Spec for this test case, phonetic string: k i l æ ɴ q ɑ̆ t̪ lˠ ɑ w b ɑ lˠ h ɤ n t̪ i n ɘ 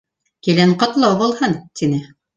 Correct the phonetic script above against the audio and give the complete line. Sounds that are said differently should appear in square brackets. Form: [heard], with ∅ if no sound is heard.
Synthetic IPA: k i l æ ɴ q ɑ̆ t̪ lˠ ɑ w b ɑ lˠ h ɤ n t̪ i n ɘ